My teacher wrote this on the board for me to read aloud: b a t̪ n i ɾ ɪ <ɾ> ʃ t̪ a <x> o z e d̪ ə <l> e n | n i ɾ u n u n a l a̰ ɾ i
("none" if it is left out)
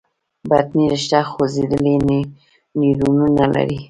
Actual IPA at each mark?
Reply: none, x, l

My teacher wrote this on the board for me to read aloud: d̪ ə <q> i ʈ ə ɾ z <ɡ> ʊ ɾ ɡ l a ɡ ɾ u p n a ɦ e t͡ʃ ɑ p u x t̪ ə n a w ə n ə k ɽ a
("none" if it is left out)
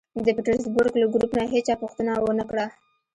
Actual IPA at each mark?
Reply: p, b

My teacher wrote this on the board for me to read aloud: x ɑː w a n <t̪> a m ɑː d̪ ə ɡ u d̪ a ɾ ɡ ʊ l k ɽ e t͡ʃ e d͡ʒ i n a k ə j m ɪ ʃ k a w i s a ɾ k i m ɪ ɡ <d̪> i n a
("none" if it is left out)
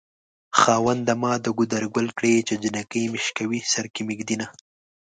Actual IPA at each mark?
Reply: d̪, d̪

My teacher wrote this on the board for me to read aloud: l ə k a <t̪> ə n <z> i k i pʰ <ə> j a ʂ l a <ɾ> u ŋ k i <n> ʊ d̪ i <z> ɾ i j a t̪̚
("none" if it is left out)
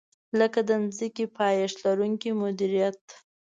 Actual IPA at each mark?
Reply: d̪, z, ɑ, ɾ, m, none

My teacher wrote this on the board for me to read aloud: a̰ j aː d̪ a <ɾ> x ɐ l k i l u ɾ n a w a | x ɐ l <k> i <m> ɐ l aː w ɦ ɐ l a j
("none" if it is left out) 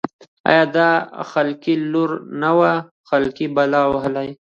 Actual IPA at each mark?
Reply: none, k, b

